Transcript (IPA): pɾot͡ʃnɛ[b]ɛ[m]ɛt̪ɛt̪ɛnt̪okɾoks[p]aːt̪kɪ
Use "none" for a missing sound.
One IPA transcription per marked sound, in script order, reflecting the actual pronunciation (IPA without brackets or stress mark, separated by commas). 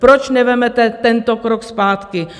v, m, p